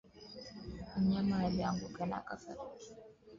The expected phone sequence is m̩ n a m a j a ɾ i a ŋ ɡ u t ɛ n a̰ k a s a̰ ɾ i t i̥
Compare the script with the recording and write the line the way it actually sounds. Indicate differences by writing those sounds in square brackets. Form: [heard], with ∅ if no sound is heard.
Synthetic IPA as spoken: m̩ [ɲ] a m a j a [l] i a ŋ ɡ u [k] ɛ n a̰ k a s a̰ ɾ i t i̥